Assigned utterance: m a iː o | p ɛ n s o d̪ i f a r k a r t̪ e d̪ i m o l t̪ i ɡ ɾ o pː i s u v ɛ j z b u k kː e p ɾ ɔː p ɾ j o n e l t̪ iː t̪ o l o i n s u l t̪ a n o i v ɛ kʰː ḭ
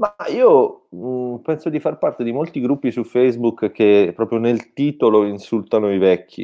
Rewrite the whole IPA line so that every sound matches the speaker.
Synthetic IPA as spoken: m a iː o | p ɛ n s o d̪ i f a r p a r t̪ e d̪ i m o l t̪ i ɡ ɾ u pː i s u f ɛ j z b u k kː e p ɾ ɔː p ɾ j o n e l t̪ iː t̪ o l o i n s u l t̪ a n o i v ɛ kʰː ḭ